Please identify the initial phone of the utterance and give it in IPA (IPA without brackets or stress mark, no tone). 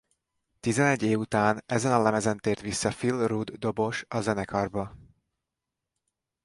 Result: t̪